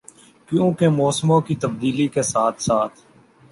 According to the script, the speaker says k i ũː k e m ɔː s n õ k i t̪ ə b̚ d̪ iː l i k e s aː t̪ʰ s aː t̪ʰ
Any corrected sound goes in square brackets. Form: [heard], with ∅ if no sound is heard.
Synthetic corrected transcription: k [j] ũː k e m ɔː s [m] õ k i t̪ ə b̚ d̪ iː l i k e s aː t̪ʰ s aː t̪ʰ

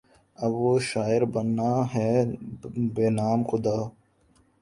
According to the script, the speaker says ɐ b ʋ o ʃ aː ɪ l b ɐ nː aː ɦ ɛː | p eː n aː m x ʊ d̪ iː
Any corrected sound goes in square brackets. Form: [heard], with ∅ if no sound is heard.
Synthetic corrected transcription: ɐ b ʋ o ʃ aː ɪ [ɾ] b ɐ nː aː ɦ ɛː | [b] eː n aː m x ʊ d̪ [aː]

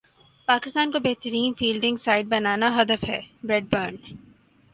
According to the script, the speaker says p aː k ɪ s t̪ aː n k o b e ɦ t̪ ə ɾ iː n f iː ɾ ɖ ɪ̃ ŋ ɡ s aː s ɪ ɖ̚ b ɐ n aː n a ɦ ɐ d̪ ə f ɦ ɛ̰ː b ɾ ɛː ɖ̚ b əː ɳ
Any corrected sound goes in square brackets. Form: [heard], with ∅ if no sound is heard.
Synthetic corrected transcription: p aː k ɪ s t̪ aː n k o b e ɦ t̪ ə ɾ iː n f iː [l] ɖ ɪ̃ ŋ ɡ s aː [∅] ɪ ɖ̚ b ɐ n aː n a ɦ ɐ d̪ ə f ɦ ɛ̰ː b ɾ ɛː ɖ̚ b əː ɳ

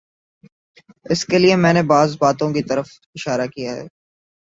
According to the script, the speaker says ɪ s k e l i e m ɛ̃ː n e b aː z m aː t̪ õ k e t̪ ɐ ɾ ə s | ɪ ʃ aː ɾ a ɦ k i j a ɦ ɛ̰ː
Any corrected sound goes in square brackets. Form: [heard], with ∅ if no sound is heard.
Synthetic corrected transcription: ɪ s k e l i e m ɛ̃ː n e b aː z [b] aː t̪ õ k [i] t̪ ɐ ɾ ə [f] | ɪ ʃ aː ɾ a [∅] k i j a ɦ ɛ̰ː

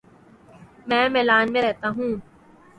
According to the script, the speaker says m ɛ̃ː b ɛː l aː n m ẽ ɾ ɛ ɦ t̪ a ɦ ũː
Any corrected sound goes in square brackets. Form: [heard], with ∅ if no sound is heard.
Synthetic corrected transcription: m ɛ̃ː [m] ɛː l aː n m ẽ ɾ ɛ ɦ t̪ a ɦ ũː

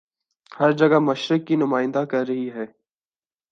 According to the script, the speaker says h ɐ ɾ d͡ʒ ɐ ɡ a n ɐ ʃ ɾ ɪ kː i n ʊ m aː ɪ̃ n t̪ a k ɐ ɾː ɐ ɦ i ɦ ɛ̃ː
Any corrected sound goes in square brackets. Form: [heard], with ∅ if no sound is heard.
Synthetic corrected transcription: h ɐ ɾ d͡ʒ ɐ ɡ a [m] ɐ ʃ ɾ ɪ kː i n ʊ m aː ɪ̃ n [d̪] a k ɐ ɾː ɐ ɦ i ɦ [ɛː]

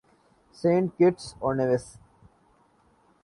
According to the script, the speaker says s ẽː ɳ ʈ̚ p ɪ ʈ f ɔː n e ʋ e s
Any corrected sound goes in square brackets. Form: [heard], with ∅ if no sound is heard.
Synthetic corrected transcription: s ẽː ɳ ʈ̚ [k] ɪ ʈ [s] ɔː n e ʋ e s

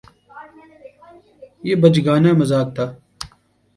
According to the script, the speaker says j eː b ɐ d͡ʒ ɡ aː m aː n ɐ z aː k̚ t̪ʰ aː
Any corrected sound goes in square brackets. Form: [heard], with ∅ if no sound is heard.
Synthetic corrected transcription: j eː b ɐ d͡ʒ ɡ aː [n] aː [m] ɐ z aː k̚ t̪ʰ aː

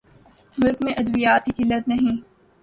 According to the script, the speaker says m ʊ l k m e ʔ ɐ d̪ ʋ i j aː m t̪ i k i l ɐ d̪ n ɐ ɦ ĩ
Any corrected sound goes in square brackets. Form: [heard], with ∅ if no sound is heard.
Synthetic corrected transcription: m ʊ l k m [ẽ] ʔ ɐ d̪ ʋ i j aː [∅] t̪ i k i l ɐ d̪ n ɐ ɦ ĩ

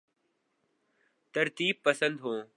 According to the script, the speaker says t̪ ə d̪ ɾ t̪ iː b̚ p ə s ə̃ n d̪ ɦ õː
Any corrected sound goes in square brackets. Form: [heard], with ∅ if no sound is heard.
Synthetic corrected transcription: t̪ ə [∅] ɾ t̪ iː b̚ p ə s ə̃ n d̪ ɦ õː

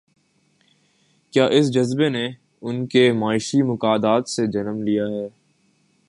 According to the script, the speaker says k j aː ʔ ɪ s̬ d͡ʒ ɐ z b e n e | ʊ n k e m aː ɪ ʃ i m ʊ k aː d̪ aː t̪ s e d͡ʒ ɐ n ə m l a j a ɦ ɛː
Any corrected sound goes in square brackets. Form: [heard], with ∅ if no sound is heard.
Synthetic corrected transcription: k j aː ʔ ɪ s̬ d͡ʒ ɐ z b e n e | ʊ n k e m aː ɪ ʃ i m ʊ k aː d̪ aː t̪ s e d͡ʒ ɐ n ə m l [i] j a ɦ ɛː

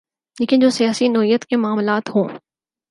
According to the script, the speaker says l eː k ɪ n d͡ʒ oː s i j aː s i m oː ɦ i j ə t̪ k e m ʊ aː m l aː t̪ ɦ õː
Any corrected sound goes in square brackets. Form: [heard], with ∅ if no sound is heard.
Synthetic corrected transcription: l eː k ɪ n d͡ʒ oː s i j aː s i [n] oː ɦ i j ə t̪ k e m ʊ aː m l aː t̪ ɦ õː

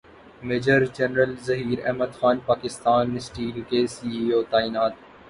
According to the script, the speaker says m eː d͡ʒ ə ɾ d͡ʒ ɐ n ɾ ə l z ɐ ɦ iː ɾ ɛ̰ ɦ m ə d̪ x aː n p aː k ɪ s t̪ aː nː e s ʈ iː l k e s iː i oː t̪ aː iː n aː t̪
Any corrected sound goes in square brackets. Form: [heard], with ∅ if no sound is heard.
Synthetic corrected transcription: m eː d͡ʒ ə ɾ d͡ʒ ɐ n ɾ ə l z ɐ ɦ iː ɾ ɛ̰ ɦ m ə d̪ x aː n p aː k ɪ s t̪ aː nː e s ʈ iː l k e s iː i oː t̪ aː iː n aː t̪

